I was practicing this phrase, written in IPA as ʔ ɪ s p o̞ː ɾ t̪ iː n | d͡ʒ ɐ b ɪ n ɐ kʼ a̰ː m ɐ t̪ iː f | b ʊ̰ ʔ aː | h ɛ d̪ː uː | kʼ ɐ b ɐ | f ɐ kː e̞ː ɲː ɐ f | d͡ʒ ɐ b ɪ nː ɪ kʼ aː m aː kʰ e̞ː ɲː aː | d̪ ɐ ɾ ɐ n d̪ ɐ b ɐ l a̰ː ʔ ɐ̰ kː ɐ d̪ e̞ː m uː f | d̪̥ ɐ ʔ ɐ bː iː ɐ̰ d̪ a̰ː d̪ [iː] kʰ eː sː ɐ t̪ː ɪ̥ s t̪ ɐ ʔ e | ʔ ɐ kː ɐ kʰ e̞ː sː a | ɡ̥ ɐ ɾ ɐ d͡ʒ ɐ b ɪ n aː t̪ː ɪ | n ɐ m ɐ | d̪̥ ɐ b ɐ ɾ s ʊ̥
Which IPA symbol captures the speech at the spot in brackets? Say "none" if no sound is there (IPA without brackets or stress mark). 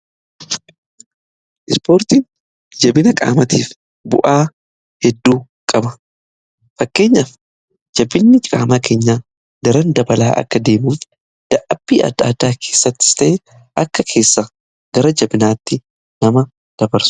aː